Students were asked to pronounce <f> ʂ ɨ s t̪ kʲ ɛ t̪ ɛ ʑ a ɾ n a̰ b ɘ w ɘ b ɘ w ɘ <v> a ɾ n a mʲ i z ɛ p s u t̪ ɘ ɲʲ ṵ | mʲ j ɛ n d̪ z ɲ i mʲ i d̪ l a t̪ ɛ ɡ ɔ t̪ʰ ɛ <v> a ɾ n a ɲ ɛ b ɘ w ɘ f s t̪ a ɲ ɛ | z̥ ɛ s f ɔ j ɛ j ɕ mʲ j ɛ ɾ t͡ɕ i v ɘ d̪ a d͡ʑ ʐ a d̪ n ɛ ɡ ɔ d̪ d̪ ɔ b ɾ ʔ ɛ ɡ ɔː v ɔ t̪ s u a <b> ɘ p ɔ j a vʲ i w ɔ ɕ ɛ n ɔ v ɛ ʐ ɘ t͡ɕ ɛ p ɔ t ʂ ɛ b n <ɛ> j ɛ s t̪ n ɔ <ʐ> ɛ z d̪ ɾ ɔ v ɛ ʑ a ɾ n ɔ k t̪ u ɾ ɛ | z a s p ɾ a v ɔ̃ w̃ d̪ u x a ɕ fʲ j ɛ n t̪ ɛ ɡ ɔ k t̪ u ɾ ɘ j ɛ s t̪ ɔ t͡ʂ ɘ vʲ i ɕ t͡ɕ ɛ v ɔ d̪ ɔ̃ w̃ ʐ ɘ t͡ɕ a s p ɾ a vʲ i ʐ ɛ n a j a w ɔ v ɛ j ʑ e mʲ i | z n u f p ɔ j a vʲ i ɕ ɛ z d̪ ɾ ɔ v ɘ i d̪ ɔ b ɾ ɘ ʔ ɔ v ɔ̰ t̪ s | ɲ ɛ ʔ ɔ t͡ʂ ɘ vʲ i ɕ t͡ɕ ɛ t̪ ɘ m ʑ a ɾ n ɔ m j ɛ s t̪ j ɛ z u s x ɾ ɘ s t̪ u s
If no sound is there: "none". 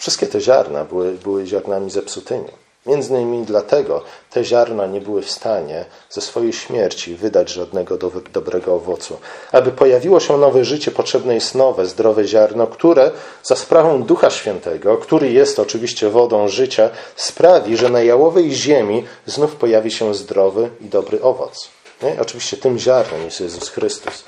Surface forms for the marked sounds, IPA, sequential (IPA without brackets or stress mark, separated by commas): f, ʑ, ʑ, b, ɛ, v